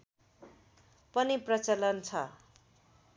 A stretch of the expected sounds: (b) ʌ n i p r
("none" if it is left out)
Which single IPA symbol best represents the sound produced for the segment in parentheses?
p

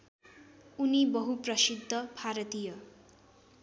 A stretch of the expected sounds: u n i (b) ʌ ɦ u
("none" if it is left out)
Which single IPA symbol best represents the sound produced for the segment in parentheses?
b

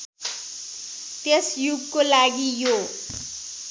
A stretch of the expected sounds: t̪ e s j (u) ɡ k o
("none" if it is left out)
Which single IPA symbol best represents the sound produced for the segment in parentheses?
u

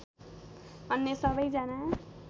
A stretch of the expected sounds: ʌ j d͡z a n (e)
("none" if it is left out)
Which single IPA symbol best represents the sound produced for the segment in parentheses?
a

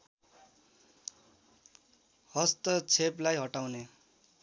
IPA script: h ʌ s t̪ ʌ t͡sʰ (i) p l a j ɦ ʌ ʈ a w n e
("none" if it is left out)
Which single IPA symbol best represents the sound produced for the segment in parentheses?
e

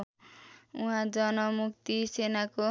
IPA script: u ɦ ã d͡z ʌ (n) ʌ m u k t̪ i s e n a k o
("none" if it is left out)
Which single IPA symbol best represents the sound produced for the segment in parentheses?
n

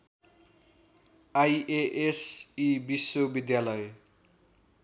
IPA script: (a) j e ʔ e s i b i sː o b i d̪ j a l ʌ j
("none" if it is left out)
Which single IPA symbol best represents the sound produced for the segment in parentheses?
a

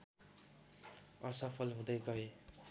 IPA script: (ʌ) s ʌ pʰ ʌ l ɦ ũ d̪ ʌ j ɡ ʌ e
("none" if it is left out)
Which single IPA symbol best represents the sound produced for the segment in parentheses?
ʌ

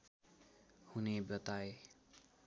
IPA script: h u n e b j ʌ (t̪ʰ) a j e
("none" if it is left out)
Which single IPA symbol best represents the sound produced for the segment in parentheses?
t̪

